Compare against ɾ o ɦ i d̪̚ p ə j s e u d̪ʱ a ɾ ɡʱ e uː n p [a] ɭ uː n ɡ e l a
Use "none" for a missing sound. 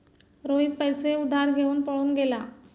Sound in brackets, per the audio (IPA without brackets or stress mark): ə